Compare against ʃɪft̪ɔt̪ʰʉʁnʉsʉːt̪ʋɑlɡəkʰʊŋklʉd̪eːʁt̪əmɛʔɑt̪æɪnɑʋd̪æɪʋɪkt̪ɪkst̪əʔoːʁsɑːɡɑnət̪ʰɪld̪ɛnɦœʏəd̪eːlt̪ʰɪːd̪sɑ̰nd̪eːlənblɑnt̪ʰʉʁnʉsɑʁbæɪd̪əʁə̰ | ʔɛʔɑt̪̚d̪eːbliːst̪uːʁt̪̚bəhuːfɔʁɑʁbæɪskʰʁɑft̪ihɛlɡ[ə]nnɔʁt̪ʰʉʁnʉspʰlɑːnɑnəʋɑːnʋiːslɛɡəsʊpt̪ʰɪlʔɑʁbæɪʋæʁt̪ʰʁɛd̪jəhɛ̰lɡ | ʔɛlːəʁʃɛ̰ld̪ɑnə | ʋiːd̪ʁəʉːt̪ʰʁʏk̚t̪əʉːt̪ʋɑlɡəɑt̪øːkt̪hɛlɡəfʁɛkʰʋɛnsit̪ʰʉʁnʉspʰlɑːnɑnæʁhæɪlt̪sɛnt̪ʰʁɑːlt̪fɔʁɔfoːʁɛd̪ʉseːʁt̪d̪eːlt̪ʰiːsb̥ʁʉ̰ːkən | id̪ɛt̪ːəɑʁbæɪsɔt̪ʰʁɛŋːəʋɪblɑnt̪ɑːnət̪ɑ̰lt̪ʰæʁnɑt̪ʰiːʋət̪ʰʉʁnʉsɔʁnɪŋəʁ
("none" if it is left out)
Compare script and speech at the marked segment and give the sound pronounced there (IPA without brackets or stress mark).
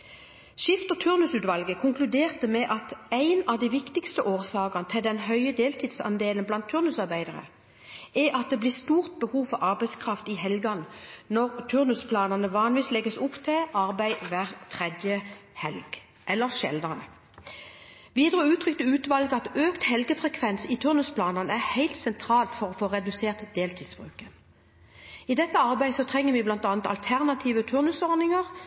ɑ